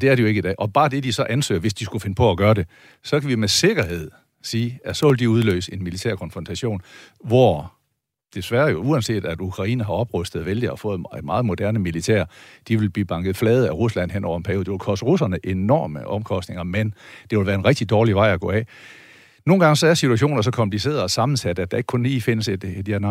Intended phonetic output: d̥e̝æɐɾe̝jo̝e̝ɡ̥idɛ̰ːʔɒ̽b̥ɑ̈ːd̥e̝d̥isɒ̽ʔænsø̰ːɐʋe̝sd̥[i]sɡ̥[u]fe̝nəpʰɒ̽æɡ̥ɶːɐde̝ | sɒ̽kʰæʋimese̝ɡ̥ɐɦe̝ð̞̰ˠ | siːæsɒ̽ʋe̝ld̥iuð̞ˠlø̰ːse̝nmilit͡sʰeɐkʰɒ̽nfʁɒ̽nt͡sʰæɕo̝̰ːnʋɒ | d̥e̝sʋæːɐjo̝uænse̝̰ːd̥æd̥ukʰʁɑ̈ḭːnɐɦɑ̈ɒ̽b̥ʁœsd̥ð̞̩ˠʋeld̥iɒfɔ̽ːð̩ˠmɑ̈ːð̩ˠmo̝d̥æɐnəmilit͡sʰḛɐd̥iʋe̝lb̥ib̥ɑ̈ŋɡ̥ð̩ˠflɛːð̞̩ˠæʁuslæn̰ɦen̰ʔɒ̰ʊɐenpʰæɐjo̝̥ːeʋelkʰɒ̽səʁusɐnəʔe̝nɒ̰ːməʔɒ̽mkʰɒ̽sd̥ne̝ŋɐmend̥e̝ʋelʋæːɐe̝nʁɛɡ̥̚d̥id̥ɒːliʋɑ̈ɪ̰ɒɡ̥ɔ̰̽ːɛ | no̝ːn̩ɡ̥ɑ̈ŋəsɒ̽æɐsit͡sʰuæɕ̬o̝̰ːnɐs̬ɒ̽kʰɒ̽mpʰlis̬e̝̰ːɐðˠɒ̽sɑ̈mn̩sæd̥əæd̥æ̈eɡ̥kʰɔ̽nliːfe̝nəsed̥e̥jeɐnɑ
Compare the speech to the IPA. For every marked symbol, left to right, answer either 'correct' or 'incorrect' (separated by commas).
correct, correct